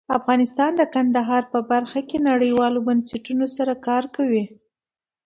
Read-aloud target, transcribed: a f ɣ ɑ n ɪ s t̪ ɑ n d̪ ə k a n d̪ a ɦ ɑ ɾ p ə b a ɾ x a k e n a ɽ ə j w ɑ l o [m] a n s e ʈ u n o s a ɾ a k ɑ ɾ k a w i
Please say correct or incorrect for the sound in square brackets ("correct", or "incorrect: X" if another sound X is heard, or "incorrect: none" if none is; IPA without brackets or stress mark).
incorrect: b